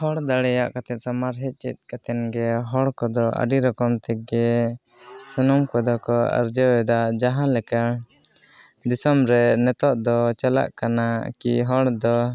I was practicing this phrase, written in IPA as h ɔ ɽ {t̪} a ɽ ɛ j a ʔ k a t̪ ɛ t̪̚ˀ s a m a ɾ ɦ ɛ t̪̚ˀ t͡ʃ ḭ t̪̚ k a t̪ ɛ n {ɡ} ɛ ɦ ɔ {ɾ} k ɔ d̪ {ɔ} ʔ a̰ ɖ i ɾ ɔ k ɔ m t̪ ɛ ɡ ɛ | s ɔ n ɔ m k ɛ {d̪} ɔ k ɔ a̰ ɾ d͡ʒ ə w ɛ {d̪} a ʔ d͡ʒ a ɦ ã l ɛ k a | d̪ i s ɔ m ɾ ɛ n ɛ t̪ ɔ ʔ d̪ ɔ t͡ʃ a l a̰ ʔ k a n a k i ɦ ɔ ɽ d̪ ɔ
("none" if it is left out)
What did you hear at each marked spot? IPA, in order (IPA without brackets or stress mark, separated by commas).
d̪, ɡ, ɽ, ɔ, d̪, d̪